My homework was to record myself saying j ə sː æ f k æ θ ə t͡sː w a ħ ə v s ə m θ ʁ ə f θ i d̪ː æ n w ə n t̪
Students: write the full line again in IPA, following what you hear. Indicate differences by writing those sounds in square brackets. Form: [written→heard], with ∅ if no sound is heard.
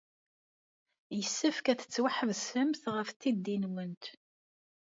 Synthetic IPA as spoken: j ə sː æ f k æ θ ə t͡sː w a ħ ə v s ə m θ ʁ ə f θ i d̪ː [æ→i] n w ə n t̪